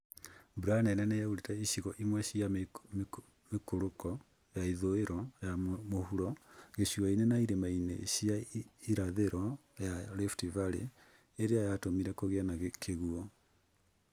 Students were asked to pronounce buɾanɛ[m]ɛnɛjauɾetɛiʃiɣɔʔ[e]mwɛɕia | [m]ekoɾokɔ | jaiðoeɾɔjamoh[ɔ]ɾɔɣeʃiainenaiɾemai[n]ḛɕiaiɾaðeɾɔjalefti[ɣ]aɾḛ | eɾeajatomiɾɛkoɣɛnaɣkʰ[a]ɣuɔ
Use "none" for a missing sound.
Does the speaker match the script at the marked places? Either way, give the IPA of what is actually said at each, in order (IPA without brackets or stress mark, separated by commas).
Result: n, i, m, u, n, v, e